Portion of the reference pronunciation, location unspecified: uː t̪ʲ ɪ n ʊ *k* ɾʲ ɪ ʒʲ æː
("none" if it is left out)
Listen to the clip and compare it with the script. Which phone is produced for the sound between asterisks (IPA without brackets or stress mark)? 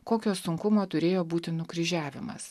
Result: k